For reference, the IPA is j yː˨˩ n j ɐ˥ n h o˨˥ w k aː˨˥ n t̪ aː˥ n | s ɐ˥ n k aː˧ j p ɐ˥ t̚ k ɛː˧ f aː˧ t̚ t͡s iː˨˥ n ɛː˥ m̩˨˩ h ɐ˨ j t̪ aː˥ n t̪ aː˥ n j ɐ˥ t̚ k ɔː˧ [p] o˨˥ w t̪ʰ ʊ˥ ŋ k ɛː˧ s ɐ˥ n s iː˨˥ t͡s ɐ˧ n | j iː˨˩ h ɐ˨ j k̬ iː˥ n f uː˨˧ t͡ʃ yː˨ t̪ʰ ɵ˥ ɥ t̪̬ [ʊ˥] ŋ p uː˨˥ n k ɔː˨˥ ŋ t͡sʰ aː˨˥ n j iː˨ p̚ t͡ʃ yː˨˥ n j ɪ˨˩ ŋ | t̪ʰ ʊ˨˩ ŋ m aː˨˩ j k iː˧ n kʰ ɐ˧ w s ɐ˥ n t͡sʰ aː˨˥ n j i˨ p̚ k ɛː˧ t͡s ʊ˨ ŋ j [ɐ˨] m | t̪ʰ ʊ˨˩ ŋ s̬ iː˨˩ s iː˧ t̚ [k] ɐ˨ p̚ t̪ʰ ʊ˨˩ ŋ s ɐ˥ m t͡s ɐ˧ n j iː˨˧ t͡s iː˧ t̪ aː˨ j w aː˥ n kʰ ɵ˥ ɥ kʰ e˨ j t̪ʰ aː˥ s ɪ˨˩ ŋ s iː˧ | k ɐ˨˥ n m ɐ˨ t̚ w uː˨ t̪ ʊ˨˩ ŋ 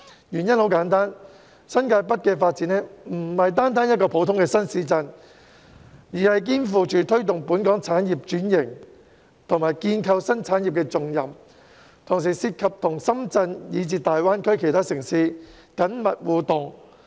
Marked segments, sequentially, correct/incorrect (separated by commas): incorrect, incorrect, correct, incorrect